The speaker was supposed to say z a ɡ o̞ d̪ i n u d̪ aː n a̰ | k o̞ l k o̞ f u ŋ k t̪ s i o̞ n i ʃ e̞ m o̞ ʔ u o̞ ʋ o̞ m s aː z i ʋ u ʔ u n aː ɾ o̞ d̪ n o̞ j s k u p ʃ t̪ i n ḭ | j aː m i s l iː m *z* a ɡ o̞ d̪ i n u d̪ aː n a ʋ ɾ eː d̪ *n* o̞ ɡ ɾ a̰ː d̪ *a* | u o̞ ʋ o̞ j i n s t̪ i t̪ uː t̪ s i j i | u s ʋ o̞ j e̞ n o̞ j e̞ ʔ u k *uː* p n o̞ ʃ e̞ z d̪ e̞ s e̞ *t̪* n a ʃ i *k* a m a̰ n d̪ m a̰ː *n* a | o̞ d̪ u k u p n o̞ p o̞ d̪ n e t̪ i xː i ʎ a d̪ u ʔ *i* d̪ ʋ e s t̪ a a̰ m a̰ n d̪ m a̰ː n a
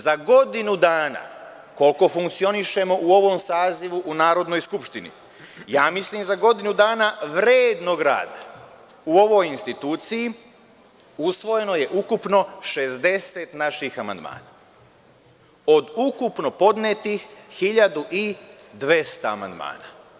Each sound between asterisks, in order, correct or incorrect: correct, correct, correct, incorrect, correct, incorrect, correct, correct

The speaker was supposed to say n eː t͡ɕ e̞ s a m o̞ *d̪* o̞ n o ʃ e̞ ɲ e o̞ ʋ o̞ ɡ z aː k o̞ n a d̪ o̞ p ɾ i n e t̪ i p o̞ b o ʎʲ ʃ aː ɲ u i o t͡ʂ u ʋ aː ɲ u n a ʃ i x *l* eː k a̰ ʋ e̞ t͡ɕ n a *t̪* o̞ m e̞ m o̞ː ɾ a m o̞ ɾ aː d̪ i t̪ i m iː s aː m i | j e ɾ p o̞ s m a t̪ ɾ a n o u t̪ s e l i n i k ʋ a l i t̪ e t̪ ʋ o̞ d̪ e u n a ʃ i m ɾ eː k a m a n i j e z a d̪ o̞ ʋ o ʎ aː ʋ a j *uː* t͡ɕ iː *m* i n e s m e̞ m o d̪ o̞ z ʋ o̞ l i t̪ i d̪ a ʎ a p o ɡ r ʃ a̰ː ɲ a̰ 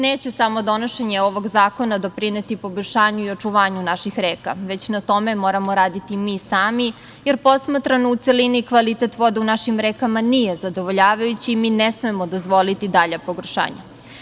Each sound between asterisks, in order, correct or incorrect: correct, incorrect, correct, incorrect, correct

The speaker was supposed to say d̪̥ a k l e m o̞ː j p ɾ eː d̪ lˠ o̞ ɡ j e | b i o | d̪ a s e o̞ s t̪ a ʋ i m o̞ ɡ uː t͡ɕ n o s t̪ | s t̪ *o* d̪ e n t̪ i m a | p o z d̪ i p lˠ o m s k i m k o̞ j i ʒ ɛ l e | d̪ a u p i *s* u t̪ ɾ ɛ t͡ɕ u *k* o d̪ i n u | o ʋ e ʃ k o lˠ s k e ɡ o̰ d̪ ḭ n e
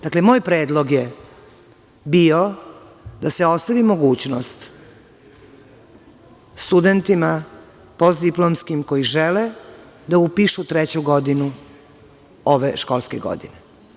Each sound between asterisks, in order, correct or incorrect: incorrect, incorrect, incorrect

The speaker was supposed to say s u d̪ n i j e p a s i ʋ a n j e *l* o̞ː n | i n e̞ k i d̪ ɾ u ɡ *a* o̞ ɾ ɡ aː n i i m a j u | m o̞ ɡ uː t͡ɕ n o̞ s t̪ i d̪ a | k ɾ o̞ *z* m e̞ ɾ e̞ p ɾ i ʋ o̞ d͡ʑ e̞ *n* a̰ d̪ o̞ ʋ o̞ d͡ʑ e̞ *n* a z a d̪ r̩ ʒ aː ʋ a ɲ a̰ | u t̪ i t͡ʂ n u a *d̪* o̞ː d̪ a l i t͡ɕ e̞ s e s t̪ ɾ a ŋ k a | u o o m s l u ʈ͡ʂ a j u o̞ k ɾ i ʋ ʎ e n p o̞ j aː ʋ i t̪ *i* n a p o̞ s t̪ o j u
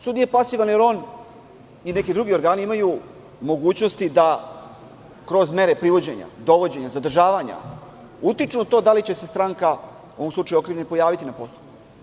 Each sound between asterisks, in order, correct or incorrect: incorrect, incorrect, correct, incorrect, incorrect, incorrect, correct

